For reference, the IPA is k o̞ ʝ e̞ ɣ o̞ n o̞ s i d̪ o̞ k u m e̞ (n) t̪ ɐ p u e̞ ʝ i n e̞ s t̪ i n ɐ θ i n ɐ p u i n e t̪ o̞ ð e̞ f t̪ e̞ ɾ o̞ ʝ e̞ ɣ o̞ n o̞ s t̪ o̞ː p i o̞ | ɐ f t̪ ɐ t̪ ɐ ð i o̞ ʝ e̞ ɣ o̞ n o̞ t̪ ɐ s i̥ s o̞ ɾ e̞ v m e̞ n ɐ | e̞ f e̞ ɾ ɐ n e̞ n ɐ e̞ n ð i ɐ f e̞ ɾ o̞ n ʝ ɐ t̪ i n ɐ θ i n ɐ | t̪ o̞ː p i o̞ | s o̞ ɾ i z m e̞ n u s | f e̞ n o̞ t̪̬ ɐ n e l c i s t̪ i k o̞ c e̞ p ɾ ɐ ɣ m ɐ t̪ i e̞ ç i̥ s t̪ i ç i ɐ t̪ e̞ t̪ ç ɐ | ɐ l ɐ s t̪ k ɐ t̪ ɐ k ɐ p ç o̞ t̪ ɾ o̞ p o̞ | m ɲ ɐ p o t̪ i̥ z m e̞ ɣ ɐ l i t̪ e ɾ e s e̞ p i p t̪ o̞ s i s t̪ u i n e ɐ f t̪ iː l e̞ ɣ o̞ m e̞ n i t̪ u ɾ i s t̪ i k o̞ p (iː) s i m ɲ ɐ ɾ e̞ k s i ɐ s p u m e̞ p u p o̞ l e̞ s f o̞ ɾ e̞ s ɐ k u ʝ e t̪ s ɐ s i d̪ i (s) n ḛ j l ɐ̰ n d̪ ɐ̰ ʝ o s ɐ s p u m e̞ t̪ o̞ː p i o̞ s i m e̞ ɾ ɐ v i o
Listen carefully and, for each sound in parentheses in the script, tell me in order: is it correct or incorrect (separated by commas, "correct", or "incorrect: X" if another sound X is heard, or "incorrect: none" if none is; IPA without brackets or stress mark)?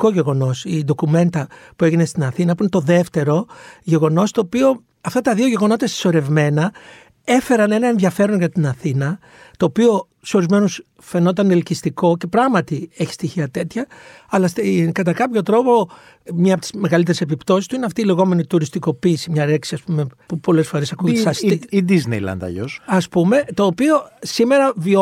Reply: correct, correct, incorrect: z